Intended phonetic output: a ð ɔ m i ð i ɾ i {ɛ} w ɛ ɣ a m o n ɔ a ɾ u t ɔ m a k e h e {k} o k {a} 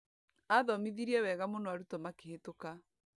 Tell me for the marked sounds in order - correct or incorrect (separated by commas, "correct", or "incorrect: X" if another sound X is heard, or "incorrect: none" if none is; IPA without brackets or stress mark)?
correct, incorrect: t, correct